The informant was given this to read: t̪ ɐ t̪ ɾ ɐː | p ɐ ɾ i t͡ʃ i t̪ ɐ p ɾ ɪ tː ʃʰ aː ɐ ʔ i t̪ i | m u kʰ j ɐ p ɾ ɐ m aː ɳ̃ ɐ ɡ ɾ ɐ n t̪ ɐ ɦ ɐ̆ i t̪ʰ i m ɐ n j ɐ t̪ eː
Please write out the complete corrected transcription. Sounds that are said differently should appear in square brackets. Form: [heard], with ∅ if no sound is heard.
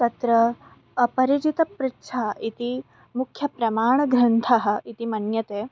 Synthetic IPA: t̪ ɐ t̪ ɾ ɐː | p ɐ ɾ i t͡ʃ i t̪ ɐ p ɾ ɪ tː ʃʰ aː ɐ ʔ i t̪ i | m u kʰ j ɐ p ɾ ɐ m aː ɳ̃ ɐ ɡ ɾ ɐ n [t̪ʰ] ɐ ɦ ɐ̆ i [t̪] i m ɐ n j ɐ t̪ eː